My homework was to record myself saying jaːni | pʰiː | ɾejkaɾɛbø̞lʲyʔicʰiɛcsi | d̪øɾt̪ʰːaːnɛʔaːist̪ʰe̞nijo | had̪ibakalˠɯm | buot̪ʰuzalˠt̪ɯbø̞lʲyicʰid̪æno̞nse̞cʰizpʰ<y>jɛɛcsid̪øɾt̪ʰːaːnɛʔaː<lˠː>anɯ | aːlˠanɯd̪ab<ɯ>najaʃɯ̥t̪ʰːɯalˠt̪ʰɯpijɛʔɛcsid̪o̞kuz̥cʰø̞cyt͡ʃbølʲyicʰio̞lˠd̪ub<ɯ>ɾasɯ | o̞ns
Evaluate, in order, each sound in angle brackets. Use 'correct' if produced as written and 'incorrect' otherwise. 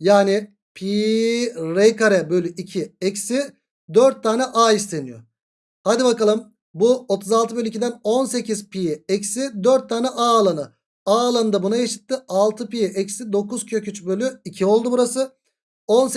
incorrect: i, incorrect: lˠ, incorrect: u, incorrect: u

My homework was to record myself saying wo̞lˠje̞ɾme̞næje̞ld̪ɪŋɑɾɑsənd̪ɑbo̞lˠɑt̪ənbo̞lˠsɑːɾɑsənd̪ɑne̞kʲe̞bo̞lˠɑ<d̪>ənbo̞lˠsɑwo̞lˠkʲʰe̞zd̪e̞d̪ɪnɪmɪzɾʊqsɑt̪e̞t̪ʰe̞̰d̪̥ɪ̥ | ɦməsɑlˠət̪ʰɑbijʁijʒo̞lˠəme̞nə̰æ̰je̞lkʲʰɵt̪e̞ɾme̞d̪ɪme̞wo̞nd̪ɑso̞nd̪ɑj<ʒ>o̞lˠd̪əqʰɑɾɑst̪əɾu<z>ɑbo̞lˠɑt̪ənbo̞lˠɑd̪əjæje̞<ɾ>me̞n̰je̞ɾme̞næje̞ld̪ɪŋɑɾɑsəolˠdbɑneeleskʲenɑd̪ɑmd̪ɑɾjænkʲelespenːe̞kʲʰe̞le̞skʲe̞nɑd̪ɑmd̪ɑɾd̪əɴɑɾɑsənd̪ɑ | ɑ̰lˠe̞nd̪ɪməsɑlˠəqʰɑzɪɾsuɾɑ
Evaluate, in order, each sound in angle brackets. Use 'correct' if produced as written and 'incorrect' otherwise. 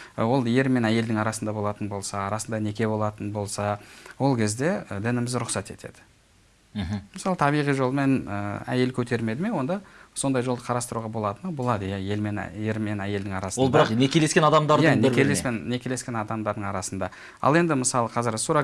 incorrect: t̪, correct, incorrect: ʁ, incorrect: l

